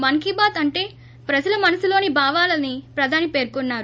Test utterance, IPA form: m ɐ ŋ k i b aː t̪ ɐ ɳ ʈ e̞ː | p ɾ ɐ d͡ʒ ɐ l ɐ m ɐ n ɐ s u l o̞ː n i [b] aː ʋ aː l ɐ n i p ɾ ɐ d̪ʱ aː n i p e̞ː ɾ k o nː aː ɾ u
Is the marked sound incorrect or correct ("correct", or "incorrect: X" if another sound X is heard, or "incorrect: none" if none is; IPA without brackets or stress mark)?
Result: correct